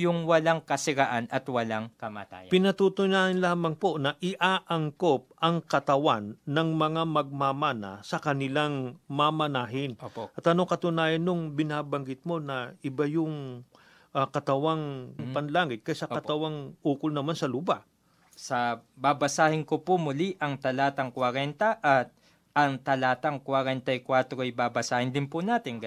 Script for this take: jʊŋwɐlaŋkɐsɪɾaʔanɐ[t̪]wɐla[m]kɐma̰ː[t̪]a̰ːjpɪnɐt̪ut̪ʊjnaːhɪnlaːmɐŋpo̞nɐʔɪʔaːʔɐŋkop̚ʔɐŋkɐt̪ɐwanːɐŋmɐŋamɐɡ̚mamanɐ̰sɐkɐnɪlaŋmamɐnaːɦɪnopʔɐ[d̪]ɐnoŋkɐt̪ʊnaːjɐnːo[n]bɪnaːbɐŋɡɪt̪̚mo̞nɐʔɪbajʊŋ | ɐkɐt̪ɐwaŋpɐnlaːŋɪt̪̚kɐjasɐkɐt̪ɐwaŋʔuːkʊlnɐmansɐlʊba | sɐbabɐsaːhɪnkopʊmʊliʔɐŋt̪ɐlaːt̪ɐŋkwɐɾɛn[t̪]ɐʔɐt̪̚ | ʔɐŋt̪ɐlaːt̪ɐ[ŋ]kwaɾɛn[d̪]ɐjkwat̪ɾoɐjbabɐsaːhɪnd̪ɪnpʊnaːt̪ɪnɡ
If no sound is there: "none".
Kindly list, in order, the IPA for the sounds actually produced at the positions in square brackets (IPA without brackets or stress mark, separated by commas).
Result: t̪, ŋ, t̪, t̪, ŋ, t̪, ŋ, t̪